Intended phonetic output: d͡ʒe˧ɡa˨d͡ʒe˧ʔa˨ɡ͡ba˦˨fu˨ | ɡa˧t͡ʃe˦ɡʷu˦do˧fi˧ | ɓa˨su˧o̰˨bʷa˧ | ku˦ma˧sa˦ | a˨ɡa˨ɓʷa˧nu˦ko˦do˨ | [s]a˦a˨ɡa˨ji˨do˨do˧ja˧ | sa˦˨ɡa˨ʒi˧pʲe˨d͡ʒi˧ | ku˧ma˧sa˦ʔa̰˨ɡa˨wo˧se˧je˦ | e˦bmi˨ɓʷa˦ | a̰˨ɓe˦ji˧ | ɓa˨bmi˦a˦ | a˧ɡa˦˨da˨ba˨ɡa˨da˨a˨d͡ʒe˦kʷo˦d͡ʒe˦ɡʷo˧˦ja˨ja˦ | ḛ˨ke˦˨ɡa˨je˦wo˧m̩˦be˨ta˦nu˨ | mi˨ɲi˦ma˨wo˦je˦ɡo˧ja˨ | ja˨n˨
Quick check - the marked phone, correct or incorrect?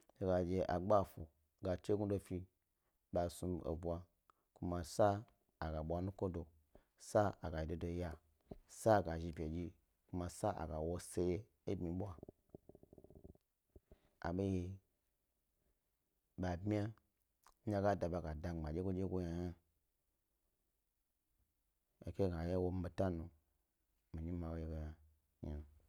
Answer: correct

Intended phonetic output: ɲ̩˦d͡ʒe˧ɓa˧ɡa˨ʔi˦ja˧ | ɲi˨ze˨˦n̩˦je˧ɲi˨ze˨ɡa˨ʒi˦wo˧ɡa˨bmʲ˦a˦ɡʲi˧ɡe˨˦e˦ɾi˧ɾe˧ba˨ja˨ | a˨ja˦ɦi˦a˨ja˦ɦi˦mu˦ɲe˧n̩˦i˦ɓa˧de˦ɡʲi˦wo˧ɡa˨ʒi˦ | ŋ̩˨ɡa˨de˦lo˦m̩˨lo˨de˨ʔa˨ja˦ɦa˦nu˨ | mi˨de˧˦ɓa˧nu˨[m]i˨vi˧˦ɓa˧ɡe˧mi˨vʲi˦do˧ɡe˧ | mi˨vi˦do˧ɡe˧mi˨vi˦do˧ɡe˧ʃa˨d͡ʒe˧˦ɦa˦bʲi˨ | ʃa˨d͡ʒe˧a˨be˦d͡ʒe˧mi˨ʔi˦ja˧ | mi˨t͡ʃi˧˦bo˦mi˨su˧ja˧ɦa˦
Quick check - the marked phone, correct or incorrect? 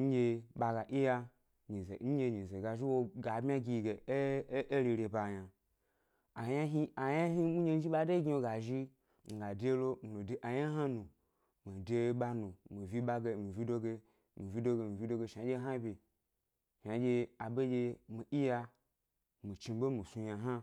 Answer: correct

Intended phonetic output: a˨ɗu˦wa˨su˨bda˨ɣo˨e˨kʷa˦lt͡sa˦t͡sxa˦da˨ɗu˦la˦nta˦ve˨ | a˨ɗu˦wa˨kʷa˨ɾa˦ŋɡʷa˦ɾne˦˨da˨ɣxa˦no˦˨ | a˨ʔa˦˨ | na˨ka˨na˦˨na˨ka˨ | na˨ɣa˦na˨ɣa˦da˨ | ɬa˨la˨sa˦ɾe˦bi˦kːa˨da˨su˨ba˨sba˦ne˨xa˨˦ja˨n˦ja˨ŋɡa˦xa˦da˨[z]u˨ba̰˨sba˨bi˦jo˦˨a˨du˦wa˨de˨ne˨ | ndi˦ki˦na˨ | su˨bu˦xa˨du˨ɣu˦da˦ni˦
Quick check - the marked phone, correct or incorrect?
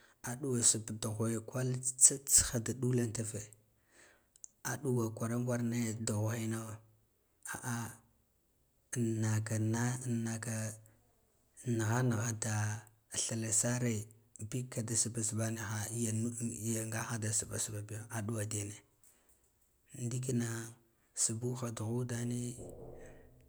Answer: incorrect: s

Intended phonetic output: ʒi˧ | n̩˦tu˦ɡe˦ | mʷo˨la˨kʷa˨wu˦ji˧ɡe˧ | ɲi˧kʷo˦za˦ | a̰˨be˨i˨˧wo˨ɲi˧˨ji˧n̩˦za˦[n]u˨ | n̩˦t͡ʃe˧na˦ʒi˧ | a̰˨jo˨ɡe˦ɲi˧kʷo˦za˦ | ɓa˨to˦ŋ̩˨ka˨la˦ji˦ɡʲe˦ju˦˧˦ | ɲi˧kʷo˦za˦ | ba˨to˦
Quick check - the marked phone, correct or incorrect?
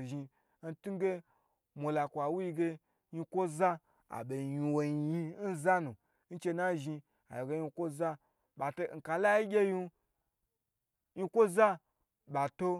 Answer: correct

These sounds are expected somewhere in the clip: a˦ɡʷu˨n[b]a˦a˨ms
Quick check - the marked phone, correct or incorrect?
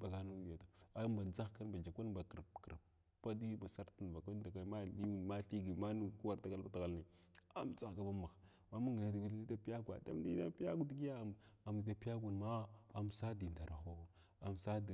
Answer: incorrect: m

